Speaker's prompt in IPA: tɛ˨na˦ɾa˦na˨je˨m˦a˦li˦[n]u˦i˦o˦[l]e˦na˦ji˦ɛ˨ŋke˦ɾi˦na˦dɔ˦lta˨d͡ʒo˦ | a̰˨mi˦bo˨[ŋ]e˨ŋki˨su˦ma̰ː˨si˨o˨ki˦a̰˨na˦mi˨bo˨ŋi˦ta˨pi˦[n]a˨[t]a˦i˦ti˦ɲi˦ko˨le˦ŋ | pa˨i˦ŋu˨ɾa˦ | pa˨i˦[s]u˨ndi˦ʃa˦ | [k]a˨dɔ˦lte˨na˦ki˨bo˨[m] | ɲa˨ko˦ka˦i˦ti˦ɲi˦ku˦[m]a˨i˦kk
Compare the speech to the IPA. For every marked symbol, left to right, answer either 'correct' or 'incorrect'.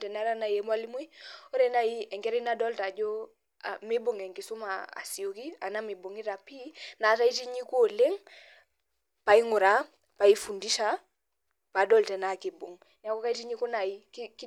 incorrect, incorrect, correct, correct, correct, incorrect, incorrect, incorrect, incorrect

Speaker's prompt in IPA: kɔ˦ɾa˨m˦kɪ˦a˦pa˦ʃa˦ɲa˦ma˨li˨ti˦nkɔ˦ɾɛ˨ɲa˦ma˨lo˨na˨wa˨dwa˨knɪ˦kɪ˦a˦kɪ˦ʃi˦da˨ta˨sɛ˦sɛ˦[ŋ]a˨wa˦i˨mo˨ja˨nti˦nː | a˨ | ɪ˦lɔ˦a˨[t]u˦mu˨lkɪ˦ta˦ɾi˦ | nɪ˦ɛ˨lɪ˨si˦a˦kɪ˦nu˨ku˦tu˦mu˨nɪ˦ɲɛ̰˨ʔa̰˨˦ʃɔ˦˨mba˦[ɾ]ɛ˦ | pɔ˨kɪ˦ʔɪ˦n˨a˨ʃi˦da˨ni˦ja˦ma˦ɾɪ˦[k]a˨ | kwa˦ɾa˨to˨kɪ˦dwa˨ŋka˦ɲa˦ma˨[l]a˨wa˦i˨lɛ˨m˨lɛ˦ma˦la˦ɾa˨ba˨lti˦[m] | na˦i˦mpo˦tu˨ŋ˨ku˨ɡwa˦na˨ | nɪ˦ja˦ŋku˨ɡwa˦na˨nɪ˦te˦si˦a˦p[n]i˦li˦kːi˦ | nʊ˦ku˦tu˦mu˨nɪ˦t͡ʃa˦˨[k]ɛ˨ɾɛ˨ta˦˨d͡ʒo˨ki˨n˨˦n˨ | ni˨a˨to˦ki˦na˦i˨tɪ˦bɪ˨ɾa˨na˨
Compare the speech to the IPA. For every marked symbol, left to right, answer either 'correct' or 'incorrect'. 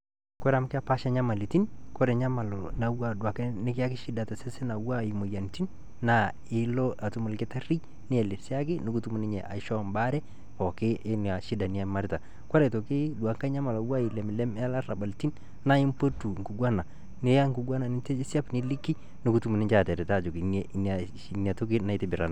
incorrect, correct, correct, incorrect, correct, incorrect, correct, incorrect

